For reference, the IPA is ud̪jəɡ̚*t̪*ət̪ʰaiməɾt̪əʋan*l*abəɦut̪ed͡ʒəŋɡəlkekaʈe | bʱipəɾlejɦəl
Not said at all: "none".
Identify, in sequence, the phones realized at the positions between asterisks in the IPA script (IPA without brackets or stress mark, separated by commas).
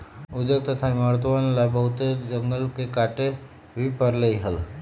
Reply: t̪, l